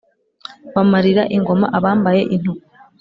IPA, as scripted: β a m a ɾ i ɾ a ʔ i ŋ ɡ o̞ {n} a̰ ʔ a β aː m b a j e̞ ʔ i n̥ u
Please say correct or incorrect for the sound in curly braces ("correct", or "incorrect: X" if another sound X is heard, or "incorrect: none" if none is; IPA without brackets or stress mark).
incorrect: m